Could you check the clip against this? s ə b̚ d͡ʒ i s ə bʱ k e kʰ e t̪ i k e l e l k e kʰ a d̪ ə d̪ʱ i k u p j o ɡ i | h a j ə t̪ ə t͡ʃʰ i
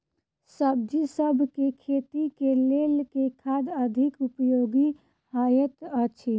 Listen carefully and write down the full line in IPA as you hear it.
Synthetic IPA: s ə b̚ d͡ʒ i s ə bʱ k e kʰ e t̪ i k e l e l k e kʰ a d̪ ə d̪ʱ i k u p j o ɡ i | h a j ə t̪ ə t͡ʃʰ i